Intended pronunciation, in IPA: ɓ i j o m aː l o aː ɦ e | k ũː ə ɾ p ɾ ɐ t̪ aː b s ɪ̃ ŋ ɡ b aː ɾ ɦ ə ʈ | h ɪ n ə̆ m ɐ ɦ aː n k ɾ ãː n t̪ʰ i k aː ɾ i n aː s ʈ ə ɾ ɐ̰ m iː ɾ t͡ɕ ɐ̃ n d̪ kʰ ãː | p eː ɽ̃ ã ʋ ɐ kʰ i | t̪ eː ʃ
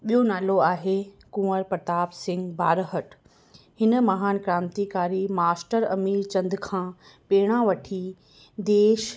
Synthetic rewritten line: ɓ i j o n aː l o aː ɦ e | k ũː ə ɾ p ɾ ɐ t̪ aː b s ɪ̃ ŋ ɡ b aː ɾ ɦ ə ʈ | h ɪ n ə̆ m ɐ ɦ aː n k ɾ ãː n t̪ i k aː ɾ i m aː s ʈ ə ɾ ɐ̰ m iː ɾ t͡ɕ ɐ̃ n d̪ kʰ ãː | p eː ɽ̃ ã ʋ ɐ ʈʰ i | d̪ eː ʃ

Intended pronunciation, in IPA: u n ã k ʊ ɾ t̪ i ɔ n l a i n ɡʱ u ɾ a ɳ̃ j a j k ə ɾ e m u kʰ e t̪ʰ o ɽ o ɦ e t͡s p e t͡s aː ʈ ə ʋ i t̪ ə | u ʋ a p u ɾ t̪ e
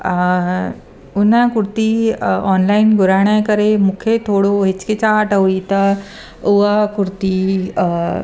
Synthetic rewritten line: u n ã k u ɾ t̪ i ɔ n l a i n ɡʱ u ɾ a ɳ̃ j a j k ə ɾ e m u kʰ e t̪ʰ o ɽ o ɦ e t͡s k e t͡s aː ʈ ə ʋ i t̪ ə | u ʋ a k u ɾ t̪ i

